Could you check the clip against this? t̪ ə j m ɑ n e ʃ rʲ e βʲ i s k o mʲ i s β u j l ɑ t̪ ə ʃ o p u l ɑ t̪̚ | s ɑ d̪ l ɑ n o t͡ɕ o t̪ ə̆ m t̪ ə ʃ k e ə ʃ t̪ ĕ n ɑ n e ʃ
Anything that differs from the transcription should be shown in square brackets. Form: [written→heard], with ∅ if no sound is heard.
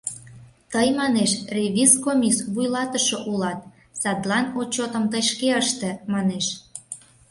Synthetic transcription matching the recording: t̪ ə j m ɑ n e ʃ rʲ e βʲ i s k o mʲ i s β u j l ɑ t̪ ə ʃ o [p→ʔ] u l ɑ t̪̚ | s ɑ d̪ l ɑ n o t͡ɕ o t̪ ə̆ m t̪ ə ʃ k e ə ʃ t̪ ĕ [n→m] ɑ n e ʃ